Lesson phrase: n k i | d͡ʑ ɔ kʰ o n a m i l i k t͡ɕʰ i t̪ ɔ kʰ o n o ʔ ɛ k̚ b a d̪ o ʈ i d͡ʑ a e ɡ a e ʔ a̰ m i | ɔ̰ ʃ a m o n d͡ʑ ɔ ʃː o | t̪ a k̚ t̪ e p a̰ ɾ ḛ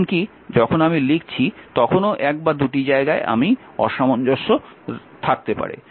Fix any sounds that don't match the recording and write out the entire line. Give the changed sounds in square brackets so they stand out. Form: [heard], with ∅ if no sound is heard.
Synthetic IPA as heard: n k i | d͡ʑ ɔ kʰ o n a m i l i k t͡ɕʰ i t̪ ɔ kʰ o n o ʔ ɛ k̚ b a d̪ [u] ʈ i d͡ʑ a e ɡ a e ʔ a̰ m i | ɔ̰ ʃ a m o n d͡ʑ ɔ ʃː o | [t̪ʰ] a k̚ t̪ e p a̰ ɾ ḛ